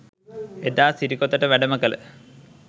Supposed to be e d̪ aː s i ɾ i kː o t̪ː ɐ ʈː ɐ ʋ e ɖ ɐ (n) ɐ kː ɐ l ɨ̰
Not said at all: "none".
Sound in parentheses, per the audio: m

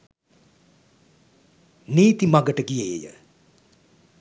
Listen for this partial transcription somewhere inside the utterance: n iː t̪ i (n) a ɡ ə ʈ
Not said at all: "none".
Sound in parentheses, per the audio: m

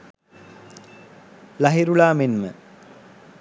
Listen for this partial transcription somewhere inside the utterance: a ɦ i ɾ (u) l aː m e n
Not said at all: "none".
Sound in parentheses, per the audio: u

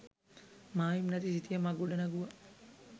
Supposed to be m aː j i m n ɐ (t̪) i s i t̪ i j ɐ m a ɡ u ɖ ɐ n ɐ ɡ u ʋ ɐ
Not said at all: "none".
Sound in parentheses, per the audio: t̪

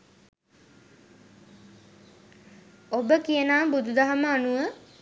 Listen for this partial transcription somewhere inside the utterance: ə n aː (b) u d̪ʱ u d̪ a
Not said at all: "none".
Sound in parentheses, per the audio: b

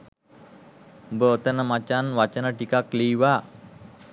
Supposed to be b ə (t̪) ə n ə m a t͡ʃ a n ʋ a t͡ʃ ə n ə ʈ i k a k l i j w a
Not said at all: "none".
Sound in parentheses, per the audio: t̪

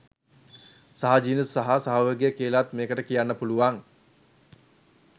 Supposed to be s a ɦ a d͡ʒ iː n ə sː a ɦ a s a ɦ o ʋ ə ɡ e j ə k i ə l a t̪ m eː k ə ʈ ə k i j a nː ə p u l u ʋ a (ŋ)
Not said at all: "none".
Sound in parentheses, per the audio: ŋ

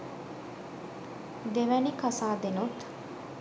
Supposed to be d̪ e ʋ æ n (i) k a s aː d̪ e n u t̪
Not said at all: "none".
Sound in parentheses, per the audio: i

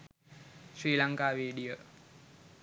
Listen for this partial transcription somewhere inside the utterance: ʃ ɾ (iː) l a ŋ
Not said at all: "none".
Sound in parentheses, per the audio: iː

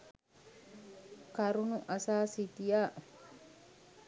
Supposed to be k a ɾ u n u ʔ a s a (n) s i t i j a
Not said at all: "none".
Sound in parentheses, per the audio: none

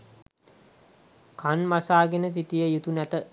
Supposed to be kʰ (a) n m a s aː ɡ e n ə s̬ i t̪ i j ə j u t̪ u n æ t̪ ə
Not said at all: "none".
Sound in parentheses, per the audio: a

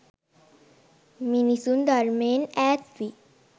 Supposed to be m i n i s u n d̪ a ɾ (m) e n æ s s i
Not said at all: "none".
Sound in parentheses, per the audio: m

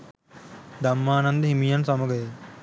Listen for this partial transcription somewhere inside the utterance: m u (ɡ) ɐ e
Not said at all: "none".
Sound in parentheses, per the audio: ɡ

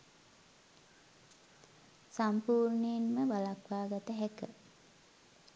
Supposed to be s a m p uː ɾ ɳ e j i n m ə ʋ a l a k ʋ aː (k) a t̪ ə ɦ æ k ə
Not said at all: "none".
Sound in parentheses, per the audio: ɡ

